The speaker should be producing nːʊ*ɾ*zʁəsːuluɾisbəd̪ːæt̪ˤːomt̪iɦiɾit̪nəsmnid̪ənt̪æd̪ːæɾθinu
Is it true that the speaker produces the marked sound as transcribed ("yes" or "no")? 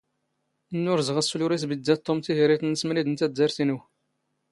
yes